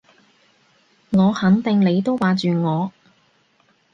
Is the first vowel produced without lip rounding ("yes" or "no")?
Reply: no